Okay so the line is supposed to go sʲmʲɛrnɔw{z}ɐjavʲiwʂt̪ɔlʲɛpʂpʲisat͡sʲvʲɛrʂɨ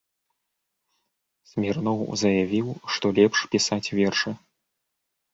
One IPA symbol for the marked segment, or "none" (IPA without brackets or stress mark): z